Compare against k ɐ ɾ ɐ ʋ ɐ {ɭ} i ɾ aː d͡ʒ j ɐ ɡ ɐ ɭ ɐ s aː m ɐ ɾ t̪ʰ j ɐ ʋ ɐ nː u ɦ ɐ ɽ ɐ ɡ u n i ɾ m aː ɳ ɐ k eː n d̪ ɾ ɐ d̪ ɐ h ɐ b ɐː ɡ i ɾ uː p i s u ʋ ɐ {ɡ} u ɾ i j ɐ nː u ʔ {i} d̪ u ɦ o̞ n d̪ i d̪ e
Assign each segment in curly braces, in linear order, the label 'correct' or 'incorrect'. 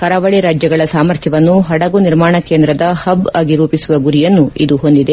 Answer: correct, correct, correct

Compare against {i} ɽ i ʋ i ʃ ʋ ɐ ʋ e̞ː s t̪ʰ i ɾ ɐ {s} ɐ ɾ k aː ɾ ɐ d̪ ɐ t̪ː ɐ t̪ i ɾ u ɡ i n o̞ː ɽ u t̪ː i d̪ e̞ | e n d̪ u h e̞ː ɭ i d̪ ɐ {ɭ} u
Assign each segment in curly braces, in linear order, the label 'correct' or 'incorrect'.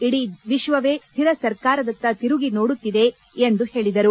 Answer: correct, correct, incorrect

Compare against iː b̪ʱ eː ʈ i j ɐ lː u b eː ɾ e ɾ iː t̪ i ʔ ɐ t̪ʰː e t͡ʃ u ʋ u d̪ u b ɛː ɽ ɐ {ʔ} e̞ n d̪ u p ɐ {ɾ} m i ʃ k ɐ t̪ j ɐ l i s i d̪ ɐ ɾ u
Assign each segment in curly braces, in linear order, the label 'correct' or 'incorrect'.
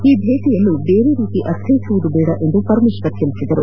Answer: correct, correct

